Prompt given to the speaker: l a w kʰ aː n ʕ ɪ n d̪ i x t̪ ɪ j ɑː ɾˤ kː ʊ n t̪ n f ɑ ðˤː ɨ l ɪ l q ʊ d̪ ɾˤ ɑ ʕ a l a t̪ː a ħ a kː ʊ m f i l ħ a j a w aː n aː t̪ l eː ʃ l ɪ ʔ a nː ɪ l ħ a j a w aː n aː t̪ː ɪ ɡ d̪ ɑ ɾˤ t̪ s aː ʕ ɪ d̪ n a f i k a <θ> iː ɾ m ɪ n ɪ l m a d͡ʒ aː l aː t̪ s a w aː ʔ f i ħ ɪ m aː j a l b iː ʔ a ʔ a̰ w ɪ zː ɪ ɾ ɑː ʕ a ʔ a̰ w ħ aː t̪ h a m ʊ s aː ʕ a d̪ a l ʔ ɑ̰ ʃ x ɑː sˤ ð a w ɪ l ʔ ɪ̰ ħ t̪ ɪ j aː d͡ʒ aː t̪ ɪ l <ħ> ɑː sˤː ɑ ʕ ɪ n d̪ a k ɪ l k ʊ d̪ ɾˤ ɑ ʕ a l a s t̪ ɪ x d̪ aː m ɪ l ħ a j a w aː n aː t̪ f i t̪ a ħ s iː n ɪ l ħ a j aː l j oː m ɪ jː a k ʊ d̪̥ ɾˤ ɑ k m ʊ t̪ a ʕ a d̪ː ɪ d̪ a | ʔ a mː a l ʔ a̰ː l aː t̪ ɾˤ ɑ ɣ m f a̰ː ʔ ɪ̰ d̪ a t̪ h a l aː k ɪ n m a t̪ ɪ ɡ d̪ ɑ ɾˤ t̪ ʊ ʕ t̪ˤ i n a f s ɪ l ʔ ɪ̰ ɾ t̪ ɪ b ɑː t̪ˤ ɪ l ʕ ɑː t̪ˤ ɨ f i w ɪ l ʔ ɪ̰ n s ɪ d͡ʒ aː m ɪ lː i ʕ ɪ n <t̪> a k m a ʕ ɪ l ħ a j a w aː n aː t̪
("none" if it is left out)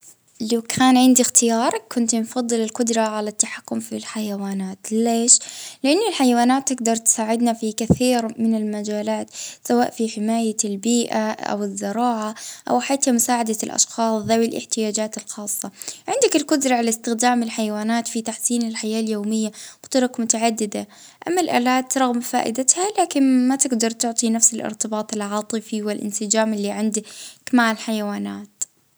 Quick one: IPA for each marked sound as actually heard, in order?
θ, x, d̪

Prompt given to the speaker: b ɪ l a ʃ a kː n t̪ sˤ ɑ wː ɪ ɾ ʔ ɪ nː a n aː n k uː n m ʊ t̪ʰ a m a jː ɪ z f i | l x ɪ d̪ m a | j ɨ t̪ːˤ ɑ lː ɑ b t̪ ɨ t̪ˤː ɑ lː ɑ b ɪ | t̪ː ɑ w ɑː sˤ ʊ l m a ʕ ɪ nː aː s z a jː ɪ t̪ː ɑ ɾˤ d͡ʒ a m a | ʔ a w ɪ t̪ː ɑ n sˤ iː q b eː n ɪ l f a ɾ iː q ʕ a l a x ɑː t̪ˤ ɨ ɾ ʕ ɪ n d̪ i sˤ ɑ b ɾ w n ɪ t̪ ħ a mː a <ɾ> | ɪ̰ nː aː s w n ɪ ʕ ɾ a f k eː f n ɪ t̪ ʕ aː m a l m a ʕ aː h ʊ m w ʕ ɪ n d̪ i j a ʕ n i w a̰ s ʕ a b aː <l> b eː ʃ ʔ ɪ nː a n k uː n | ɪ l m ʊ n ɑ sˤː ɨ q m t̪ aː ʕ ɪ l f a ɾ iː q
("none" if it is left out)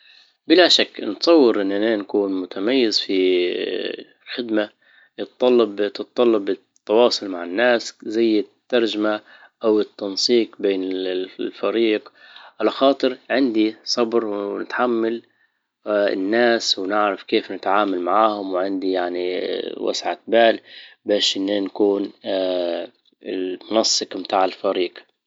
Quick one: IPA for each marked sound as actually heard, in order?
l, l

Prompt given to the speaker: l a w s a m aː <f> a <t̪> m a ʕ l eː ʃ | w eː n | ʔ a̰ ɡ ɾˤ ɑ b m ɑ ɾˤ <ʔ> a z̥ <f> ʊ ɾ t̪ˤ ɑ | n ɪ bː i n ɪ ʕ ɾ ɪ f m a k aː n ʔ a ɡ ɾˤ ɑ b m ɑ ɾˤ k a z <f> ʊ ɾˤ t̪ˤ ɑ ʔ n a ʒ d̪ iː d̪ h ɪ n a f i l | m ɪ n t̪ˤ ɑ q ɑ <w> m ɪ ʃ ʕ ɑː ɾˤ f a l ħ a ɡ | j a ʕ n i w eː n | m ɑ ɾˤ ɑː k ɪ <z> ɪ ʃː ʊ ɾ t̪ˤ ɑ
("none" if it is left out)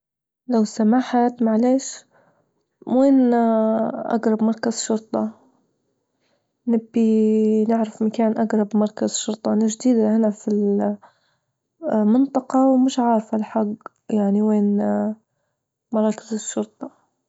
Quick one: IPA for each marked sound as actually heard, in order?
ħ, t̪, k, ʃ, ʃ, w, z

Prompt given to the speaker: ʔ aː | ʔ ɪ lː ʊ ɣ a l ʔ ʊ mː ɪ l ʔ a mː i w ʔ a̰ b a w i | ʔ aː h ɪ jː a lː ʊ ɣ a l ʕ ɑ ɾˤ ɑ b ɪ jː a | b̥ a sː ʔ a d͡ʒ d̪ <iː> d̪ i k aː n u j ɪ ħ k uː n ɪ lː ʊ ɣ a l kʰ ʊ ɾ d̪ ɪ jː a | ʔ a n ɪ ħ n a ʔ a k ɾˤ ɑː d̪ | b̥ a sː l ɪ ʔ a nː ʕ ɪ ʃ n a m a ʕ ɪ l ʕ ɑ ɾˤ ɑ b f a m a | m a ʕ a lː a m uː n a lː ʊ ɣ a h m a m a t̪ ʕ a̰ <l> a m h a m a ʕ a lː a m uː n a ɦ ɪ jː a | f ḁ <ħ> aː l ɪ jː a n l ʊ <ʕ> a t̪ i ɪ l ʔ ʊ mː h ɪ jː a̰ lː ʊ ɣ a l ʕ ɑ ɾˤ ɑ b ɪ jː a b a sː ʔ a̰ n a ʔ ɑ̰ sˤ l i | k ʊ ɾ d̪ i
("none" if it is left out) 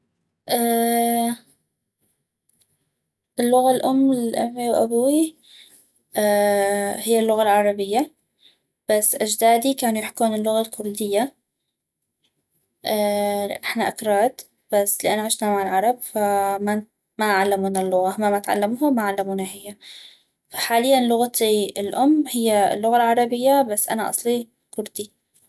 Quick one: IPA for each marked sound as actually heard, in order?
aː, lː, ħ, ɣ

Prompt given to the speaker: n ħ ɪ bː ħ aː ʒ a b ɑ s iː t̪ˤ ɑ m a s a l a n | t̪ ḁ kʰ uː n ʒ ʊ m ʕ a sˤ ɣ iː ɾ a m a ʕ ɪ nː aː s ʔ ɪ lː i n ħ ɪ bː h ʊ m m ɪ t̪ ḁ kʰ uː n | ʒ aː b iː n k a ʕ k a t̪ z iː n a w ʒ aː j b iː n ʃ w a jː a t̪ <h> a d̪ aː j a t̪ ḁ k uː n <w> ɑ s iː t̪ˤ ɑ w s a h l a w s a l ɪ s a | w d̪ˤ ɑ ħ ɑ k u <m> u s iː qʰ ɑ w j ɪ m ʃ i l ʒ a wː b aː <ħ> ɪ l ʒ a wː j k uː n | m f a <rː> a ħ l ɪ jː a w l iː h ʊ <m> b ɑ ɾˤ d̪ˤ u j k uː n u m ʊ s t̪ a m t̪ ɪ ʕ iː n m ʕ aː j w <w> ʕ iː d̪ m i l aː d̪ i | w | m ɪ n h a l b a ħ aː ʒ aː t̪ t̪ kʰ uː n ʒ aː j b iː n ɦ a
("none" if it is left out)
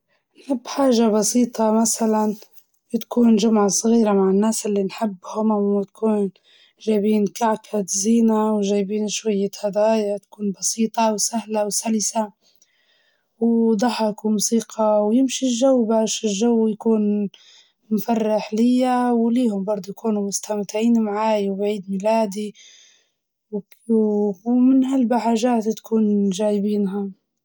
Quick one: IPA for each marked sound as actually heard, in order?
h, b, m, ʃ, rː, m, b

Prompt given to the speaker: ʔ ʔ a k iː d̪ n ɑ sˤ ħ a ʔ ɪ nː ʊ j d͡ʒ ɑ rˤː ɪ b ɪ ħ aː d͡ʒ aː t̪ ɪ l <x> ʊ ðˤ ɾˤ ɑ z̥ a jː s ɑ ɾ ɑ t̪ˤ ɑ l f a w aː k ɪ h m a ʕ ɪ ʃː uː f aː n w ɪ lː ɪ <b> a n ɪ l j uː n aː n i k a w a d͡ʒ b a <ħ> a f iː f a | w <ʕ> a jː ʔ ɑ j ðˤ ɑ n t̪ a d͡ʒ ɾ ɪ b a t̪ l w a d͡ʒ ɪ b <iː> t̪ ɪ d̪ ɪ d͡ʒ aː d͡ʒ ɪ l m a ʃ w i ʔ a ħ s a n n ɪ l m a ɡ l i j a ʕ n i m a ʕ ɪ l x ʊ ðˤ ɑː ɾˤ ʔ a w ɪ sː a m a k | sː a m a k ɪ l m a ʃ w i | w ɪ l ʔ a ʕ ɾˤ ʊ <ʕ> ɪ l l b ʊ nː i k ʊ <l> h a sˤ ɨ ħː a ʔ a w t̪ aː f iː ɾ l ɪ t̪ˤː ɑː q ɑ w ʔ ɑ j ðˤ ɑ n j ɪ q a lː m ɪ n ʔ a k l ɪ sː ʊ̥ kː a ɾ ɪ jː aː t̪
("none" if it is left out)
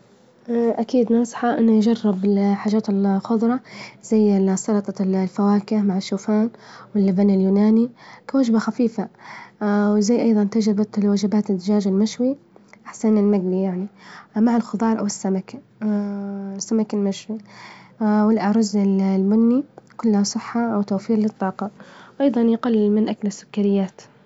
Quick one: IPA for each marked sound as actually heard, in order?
x, b, x, z, aː, z, lː

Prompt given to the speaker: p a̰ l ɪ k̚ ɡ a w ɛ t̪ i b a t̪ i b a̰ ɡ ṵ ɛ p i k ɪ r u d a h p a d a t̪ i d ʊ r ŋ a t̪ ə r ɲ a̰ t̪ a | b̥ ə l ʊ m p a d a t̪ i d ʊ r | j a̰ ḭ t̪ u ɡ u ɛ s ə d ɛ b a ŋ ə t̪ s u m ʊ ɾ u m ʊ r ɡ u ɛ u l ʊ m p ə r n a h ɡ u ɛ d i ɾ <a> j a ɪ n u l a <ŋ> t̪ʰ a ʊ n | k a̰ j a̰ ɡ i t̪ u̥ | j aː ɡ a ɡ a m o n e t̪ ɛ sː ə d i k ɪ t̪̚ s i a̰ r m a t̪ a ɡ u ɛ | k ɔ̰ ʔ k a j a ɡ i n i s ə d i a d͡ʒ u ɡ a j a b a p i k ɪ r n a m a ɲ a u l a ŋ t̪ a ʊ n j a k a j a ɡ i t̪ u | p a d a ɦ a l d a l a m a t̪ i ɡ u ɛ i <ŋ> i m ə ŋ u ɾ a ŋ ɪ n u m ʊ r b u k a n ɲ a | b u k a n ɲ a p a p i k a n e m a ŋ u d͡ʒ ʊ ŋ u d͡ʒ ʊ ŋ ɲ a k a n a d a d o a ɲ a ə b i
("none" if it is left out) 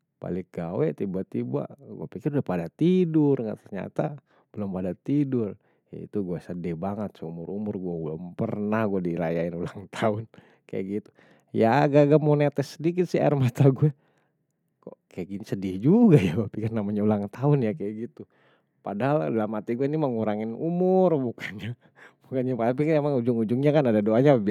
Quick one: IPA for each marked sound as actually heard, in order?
a, ŋ, n

